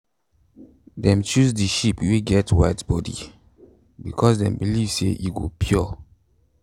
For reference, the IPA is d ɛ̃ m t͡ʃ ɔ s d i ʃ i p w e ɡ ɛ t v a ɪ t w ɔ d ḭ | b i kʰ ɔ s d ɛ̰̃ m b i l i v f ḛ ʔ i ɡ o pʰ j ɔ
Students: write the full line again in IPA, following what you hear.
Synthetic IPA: d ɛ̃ m t͡ʃ u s d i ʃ i p w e ɡ ɛ t w a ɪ t b ɔ d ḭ | b i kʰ ɔ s d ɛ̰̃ m b i l i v s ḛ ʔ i ɡ o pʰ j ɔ